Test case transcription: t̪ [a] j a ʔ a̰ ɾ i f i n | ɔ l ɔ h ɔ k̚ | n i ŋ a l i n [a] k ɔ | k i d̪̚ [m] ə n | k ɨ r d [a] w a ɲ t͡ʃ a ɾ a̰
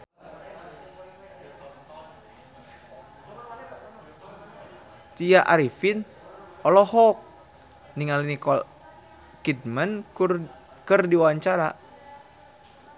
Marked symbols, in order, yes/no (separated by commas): no, no, yes, no